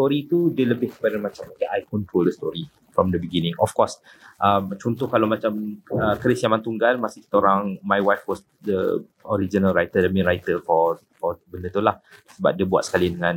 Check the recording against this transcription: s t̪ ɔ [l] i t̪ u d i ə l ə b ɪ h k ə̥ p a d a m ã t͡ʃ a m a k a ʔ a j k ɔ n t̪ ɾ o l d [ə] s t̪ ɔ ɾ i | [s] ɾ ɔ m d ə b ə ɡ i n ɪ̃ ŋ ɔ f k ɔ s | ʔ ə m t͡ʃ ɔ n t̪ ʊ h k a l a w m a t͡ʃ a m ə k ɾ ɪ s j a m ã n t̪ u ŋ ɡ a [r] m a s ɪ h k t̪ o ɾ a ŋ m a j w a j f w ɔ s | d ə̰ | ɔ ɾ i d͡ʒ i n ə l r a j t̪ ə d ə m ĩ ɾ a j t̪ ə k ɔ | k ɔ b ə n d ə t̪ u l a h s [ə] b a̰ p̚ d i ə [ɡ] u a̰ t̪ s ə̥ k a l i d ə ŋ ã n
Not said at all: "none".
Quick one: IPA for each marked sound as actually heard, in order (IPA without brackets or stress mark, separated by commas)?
ɾ, ə, f, l, ə, b